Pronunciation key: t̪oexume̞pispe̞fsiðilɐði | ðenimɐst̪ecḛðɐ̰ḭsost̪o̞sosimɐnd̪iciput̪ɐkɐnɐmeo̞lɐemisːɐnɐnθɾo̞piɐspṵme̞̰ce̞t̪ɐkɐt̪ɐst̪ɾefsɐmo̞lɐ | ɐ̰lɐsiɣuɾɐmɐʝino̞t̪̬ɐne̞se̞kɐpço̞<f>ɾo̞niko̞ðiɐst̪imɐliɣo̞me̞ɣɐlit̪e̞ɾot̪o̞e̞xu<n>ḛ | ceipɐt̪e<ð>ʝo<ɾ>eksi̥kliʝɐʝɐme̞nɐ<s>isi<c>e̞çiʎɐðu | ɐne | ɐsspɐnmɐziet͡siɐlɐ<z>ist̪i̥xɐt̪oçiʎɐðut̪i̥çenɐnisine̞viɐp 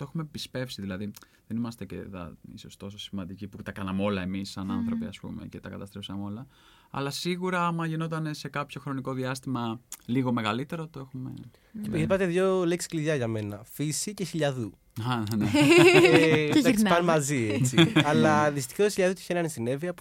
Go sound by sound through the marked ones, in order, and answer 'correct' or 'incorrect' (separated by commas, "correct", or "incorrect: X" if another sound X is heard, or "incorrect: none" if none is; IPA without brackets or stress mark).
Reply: incorrect: x, incorrect: m, correct, incorrect: l, incorrect: f, correct, incorrect: ð